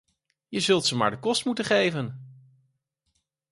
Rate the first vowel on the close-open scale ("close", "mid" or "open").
mid